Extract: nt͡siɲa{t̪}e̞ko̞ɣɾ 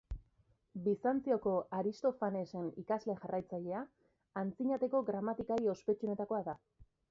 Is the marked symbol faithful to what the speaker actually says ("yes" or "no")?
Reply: yes